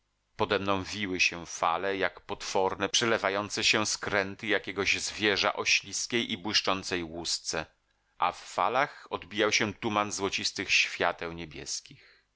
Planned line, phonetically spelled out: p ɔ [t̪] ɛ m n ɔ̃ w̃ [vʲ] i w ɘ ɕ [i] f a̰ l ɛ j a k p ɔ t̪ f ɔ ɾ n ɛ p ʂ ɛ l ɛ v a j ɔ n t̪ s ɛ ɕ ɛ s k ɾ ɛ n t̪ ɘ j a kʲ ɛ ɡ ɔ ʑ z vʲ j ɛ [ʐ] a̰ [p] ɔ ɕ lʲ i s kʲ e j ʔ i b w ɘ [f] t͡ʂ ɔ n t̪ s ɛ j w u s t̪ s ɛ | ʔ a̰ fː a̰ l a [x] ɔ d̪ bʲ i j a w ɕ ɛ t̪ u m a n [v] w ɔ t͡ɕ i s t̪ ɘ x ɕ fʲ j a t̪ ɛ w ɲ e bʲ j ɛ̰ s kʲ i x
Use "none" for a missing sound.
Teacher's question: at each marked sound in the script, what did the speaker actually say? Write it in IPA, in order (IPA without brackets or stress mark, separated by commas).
d̪, vʲ, ɛ, ʐ, ʔ, ʂ, x, z